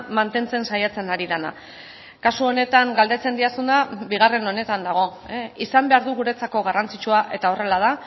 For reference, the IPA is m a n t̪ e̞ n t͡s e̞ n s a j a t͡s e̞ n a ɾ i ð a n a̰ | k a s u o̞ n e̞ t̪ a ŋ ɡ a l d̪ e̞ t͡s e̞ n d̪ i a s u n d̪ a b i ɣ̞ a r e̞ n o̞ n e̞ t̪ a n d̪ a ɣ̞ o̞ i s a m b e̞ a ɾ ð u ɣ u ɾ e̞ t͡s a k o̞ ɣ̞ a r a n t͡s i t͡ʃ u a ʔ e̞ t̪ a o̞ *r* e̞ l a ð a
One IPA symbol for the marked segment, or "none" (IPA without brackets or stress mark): r